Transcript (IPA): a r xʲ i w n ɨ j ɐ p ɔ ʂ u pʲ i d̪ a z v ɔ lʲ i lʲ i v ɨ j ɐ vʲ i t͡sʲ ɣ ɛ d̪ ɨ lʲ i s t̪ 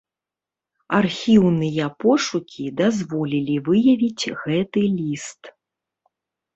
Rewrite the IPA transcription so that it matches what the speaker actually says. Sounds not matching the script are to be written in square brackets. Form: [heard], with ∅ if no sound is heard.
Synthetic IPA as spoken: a r xʲ i w n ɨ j ɐ p ɔ ʂ u [kʲ] i d̪ a z v ɔ lʲ i lʲ i v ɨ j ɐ vʲ i t͡sʲ ɣ ɛ [t̪] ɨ lʲ i s t̪